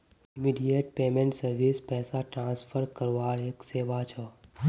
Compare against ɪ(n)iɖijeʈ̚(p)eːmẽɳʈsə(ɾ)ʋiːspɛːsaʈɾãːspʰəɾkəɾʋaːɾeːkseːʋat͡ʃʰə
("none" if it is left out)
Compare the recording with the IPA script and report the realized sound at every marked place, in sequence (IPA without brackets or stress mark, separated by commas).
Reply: m, p, ɾ